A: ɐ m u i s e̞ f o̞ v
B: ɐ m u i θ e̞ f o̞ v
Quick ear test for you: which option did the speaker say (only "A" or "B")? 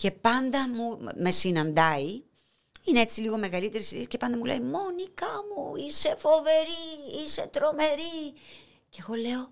A